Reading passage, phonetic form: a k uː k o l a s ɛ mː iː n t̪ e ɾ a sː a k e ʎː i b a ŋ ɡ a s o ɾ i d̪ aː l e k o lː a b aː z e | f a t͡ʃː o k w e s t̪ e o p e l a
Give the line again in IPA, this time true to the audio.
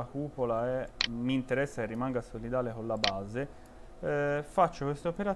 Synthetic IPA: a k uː p o l a ɛ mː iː n t̪ e ɾ ɛ sː a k e rː i m a ŋ ɡ a s o l i d̪ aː l e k o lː a b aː z e | f a t͡ʃː o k w e s t̪ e o p e ɾ a